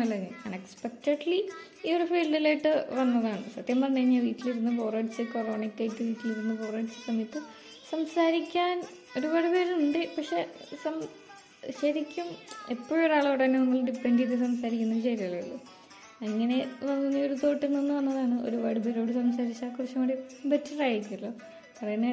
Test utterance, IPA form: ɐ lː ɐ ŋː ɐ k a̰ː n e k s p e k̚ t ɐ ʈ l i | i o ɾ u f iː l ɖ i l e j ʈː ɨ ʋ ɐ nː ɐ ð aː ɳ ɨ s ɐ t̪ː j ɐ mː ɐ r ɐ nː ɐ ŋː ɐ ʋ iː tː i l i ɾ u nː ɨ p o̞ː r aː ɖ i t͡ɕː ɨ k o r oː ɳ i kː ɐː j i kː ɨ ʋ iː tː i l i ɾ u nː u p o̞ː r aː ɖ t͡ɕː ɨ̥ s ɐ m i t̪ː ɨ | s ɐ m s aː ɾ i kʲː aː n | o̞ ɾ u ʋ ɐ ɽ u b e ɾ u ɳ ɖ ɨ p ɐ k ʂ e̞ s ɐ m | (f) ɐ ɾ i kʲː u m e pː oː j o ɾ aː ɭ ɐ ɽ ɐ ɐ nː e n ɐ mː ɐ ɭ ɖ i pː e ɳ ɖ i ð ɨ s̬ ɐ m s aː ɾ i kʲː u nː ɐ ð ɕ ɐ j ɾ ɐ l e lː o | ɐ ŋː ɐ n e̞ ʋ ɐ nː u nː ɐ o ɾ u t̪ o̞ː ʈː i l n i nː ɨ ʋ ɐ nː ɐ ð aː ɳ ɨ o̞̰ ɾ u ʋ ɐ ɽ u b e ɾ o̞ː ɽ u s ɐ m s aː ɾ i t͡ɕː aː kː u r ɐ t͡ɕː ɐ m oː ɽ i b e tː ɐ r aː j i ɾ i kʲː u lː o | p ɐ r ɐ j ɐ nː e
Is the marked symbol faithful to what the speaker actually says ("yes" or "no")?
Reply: no